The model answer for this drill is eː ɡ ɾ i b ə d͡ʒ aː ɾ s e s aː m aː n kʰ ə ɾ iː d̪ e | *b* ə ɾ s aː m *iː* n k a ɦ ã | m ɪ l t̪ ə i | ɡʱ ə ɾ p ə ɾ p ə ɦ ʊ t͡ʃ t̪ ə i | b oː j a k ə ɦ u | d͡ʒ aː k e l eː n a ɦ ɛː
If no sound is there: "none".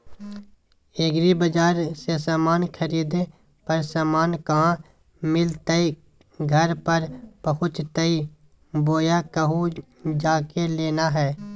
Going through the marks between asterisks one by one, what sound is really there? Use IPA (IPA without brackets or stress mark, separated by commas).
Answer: p, aː